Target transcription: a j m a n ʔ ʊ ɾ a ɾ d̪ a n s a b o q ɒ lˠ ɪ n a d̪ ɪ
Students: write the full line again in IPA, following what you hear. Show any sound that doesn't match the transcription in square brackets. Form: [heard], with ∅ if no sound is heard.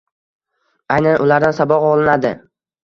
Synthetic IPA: a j [n] a n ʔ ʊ [l] a ɾ d̪ a n s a b [ɒ] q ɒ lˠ ɪ n a d̪ ɪ